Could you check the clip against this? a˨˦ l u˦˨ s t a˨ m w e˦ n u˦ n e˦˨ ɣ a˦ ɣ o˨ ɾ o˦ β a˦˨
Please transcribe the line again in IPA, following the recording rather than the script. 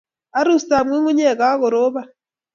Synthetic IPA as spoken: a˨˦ ɾ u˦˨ s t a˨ m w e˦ ŋ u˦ ɲ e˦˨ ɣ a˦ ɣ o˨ ɾ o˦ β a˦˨